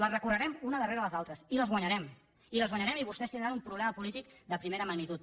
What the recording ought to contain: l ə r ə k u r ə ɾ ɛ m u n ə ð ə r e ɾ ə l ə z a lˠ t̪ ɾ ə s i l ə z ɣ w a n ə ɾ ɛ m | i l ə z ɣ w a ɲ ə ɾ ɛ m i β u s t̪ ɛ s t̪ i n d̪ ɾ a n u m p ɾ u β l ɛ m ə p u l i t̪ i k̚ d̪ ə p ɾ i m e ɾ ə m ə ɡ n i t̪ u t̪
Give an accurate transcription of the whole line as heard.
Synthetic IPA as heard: l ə r ə k u r ə ɾ ɛ m u n ə ð ə r e ɾ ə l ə z a lˠ t̪ ɾ ə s i l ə z ɣ w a ɲ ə ɾ ɛ m | i l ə z ɣ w a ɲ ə ɾ ɛ m i β u s t̪ ɛ s t̪ i n d̪ ɾ a n u m p ɾ u β l ɛ m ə p u l i t̪ i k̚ d̪ ə p ɾ i m e ɾ ə m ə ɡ n i t̪ u t̪